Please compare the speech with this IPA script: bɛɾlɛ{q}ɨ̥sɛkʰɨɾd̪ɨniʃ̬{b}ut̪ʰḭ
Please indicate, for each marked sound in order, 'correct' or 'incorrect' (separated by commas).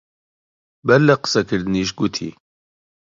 correct, incorrect